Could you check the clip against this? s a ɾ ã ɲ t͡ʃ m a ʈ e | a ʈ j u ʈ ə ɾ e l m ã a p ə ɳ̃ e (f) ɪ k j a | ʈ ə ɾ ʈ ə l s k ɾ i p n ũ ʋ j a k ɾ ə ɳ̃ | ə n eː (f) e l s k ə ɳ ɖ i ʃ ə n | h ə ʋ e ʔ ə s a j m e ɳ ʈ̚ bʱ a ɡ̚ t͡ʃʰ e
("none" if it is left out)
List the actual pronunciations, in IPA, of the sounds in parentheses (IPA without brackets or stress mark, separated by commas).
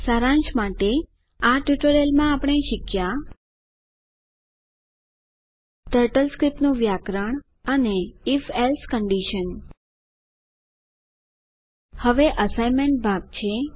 ʃ, f